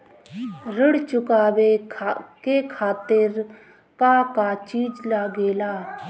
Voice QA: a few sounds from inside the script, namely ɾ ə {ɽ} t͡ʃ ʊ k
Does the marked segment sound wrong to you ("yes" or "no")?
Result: no